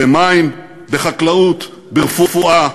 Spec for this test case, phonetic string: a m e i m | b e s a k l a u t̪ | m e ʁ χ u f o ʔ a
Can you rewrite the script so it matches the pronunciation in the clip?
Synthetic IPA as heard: e m a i m | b e χ a k l a u t̪ | b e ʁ f u f u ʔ a